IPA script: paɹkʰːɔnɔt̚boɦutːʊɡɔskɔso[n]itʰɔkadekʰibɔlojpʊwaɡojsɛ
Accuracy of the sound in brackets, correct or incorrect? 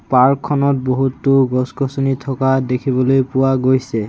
correct